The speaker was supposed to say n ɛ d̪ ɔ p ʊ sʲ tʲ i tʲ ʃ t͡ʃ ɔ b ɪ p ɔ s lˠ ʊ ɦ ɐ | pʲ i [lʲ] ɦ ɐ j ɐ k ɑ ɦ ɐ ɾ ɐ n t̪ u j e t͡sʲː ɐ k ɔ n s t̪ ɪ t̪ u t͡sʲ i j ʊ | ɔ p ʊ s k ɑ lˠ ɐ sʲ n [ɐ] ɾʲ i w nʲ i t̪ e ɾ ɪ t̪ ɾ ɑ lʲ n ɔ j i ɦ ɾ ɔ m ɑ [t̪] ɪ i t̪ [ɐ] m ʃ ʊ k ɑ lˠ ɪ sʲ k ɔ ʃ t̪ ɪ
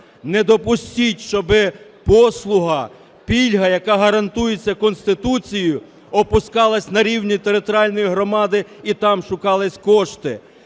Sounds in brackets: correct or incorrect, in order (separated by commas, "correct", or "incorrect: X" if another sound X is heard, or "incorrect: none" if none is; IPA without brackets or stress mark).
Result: correct, correct, incorrect: d̪, incorrect: ɑ